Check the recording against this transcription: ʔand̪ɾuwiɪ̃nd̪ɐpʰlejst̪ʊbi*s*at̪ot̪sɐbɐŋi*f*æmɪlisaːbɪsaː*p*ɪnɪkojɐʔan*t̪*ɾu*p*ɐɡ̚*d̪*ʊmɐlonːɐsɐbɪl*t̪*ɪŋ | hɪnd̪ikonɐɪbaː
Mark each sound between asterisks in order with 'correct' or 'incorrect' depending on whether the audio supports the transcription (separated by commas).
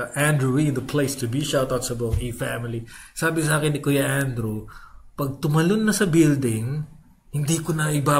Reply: incorrect, correct, incorrect, incorrect, correct, incorrect, incorrect